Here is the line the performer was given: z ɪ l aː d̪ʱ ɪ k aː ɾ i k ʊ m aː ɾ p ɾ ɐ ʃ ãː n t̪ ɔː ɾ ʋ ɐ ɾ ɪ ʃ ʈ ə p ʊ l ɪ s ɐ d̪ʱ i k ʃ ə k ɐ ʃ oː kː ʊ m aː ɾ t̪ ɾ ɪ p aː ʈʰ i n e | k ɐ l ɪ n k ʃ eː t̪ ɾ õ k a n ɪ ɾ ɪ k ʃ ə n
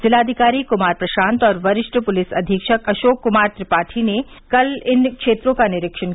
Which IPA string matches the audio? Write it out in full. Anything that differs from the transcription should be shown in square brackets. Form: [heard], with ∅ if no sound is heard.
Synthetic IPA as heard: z ɪ l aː d̪ʱ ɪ k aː ɾ i k ʊ m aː ɾ p ɾ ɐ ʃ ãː n t̪ ɔː ɾ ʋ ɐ ɾ ɪ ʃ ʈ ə p ʊ l ɪ s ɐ d̪ʱ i k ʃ ə k ɐ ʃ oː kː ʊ m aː ɾ t̪ ɾ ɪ p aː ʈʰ i n e | k ɐ l ɪ n k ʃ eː t̪ ɾ õ k a n ɪ ɾ ɪ k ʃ ə n